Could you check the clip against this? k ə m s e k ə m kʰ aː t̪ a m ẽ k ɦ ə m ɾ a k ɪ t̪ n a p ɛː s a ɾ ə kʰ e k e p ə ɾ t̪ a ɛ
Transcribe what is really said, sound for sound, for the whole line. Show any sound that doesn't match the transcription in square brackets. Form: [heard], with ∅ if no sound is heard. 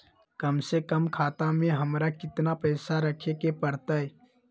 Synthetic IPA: k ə m s e k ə m kʰ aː t̪ a m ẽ [∅] ɦ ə m ɾ a k ɪ t̪ n a p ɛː s a ɾ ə kʰ e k e p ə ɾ t̪ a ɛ